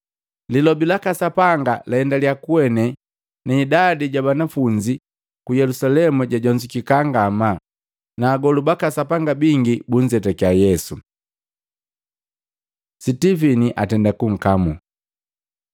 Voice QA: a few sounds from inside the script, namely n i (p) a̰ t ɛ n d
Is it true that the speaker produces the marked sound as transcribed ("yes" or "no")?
no